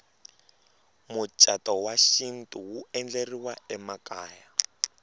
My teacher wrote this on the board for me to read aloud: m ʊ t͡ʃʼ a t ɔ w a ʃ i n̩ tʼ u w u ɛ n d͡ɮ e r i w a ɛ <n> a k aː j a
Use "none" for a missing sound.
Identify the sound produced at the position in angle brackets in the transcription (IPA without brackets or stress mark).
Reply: m